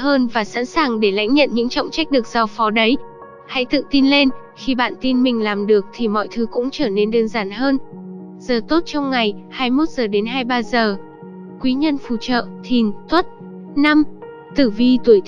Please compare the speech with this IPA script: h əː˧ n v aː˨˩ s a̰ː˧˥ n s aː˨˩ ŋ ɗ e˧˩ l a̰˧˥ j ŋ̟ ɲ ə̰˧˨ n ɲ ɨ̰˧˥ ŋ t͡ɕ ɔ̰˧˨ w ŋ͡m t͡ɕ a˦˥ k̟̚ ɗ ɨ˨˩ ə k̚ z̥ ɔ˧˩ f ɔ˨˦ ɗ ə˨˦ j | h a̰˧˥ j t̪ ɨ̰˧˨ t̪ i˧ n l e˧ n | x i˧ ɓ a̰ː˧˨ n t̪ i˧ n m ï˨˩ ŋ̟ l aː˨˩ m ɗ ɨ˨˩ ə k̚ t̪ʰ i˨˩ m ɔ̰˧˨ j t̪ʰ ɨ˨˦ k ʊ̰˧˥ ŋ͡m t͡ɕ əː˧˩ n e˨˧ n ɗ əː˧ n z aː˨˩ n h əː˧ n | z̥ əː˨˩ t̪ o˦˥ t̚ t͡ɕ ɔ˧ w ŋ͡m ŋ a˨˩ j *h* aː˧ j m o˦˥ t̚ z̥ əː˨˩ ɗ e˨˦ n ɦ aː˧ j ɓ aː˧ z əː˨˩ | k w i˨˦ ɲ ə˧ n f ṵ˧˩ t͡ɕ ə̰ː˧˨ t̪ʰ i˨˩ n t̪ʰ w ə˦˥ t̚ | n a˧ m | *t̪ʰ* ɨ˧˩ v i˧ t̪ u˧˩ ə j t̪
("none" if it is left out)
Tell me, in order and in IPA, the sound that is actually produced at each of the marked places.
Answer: h, t̪

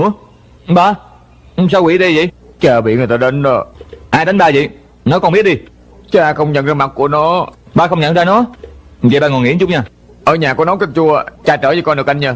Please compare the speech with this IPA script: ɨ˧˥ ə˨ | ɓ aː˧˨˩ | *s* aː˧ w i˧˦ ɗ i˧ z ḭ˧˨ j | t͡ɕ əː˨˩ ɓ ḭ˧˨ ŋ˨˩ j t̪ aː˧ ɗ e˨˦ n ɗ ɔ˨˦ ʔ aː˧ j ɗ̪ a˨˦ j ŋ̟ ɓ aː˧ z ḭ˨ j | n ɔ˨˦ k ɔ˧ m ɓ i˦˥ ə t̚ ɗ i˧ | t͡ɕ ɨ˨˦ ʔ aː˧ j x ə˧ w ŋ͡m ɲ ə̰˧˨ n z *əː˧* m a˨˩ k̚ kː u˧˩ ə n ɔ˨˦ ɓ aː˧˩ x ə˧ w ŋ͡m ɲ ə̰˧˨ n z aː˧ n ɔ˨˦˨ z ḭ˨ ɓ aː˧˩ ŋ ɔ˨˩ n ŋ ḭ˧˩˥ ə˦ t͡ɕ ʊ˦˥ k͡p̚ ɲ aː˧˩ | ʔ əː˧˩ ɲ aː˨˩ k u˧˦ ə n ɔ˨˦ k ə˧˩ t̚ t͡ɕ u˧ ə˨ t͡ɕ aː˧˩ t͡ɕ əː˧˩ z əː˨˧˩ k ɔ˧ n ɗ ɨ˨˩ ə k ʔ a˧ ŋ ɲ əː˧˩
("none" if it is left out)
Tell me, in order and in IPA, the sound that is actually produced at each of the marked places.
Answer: s, aː˧

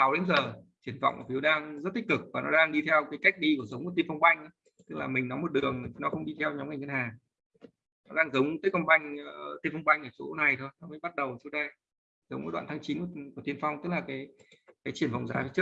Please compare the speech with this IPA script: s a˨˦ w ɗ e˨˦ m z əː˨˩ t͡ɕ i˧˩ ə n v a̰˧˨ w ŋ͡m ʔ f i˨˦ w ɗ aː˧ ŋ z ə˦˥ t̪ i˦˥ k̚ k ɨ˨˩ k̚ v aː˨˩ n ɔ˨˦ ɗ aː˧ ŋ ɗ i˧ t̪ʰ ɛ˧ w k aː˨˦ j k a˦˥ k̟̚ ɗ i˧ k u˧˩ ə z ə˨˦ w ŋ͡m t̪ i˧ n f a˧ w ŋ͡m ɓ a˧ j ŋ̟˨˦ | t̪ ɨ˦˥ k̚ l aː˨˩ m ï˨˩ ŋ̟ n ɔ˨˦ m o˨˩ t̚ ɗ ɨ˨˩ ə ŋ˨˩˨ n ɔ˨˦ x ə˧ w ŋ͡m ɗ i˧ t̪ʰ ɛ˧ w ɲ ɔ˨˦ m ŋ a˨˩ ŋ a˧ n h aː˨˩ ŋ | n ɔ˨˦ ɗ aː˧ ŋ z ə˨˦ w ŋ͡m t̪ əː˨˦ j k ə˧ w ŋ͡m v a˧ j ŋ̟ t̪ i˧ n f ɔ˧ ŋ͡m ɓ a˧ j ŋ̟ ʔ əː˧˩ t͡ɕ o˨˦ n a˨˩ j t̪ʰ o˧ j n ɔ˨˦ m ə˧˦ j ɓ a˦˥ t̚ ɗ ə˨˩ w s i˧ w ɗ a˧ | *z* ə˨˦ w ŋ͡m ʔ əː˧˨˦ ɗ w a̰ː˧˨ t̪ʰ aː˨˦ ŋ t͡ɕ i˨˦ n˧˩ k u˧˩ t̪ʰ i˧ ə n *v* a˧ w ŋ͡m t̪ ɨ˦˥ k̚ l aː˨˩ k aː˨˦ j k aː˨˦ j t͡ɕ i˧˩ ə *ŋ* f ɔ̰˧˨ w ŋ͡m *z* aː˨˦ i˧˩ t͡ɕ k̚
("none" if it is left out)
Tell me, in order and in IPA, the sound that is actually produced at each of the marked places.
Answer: z, f, n, z

